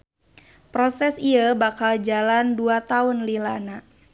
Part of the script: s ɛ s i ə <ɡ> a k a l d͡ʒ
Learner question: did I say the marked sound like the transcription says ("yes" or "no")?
no